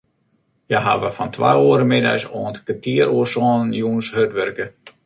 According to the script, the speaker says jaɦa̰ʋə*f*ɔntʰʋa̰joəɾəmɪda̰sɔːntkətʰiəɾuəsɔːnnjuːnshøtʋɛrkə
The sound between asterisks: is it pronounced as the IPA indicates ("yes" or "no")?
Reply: yes